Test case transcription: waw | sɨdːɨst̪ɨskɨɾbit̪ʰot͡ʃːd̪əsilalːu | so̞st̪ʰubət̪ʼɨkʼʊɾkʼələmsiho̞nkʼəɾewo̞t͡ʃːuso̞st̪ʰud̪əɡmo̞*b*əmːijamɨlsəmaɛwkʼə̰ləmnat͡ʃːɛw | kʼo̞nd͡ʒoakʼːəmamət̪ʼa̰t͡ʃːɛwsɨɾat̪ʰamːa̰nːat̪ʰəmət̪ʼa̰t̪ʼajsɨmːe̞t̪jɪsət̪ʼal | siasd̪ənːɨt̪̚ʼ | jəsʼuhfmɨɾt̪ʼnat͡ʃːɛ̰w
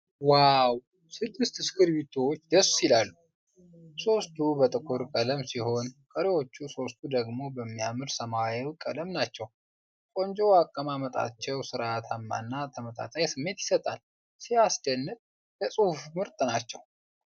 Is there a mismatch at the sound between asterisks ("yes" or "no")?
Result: no